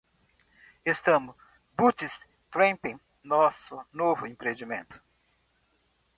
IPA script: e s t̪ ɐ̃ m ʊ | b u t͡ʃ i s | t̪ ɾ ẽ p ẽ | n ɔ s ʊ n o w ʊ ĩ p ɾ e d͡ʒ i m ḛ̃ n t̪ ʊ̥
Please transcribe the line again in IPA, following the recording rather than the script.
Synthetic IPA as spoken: e s t̪ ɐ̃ m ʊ | b u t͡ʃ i s | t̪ ɾ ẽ p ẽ | n ɔ s ʊ n o v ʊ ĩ p ɾ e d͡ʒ i m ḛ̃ n t̪ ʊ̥